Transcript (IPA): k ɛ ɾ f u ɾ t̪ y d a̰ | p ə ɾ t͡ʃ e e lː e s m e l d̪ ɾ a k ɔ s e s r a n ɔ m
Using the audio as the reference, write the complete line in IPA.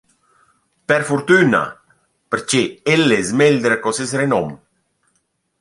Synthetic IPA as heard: p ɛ ɾ f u ɾ t̪ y n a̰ | p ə ɾ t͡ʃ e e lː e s m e l d̪ ɾ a k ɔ s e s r e n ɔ m